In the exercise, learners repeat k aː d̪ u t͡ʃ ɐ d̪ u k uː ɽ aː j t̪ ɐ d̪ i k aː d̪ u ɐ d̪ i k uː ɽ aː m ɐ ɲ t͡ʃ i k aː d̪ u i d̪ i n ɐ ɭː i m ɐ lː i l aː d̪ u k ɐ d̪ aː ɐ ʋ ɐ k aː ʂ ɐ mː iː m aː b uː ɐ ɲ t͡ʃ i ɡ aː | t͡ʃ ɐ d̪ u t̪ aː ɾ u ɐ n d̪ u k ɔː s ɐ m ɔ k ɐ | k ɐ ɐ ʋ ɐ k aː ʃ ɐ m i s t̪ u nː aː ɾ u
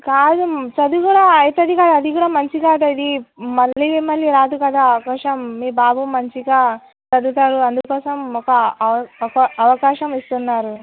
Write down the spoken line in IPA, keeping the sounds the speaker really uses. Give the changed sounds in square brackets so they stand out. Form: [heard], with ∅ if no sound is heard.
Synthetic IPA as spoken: k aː d̪ u t͡ʃ ɐ d̪ u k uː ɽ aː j t̪ ɐ d̪ i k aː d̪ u ɐ d̪ i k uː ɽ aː m ɐ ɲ t͡ʃ i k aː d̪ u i d̪ i [m] ɐ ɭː i m ɐ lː i [ɾ] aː d̪ u k ɐ d̪ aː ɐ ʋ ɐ k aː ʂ ɐ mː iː [b] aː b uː ɐ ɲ t͡ʃ i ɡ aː | t͡ʃ ɐ d̪ u t̪ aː ɾ u ɐ n d̪ u k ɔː s ɐ m ɔ k ɐ | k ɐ ɐ ʋ ɐ k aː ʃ ɐ m i s t̪ u nː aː ɾ u